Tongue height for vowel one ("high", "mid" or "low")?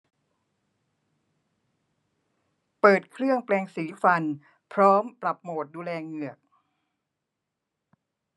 mid